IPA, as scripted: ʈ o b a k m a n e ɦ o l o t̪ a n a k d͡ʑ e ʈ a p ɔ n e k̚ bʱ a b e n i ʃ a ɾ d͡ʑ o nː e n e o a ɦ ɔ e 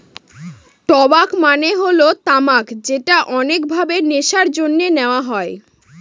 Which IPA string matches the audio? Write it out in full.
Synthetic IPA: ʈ ɔ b a k m a n e ɦ o l o t̪ a m a k d͡ʑ e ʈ a ʔ ɔ n e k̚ bʱ a b e n e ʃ a ɾ d͡ʑ o nː e n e o a ɦ ɔ e